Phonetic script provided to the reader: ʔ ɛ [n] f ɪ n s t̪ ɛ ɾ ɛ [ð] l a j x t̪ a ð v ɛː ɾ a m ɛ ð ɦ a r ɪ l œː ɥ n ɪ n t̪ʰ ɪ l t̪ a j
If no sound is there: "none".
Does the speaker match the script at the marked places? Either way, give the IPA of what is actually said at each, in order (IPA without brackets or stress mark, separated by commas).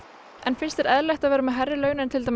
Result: n, ð